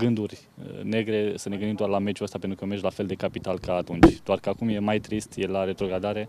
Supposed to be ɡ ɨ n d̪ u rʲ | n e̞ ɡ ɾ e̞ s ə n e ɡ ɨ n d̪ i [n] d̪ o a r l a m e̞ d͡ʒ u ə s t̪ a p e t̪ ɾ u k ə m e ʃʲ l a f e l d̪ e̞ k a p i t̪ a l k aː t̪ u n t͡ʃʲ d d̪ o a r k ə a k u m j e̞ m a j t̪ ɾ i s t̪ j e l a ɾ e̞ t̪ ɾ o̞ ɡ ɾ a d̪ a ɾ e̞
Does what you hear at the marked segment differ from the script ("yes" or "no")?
yes